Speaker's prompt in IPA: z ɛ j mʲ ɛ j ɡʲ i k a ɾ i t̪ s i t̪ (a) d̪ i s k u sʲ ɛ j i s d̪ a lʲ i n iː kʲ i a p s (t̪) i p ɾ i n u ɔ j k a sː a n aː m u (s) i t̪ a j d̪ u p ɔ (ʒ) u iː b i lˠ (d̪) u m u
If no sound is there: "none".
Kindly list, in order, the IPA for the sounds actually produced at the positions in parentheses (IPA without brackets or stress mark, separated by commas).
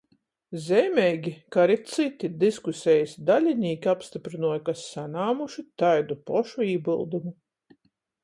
i, t̪, ʃ, ʃ, d̪